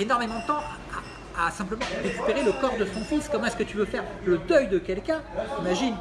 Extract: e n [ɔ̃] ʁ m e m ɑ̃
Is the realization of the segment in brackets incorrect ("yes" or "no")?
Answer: yes